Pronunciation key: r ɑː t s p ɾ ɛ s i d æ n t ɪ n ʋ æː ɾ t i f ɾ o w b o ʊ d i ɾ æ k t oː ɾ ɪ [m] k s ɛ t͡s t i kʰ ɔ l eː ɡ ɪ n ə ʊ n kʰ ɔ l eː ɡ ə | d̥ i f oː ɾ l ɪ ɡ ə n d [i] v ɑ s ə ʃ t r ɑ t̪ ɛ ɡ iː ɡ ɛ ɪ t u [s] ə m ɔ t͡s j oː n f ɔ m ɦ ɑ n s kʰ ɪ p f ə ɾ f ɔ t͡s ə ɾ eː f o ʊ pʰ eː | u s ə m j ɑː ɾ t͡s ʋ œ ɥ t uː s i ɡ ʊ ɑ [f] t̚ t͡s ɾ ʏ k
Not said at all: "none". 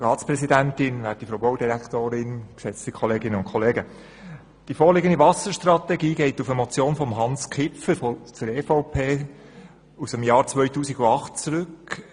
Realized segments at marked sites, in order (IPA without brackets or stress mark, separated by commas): n, i, f, χ